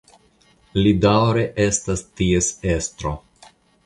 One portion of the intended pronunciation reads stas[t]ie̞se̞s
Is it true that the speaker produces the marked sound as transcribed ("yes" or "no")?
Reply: yes